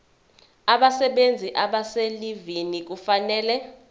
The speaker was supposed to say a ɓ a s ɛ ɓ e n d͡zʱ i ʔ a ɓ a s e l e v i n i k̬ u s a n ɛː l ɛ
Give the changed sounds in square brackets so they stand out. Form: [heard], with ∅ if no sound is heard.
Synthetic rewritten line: a ɓ a s ɛ ɓ e n d͡zʱ i ʔ a ɓ a s e l [i] v i n i k̬ u [f] a n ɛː l ɛ

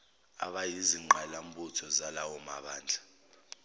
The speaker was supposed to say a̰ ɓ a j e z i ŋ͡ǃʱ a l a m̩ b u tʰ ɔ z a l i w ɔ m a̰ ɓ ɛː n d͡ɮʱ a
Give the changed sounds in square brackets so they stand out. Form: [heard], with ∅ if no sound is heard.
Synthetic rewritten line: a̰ ɓ a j [i] z i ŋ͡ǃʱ a l a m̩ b u tʰ ɔ z a l [a] w ɔ m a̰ ɓ [aː] n d͡ɮʱ a

